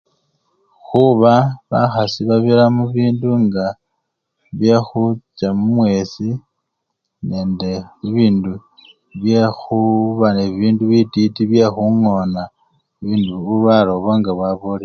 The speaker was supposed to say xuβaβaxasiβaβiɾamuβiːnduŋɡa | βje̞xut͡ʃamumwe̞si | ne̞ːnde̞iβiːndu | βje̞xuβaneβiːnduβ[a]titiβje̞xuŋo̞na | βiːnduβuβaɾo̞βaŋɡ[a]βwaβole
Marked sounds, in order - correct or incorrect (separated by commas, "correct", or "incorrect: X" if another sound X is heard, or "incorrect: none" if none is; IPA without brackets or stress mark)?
incorrect: i, correct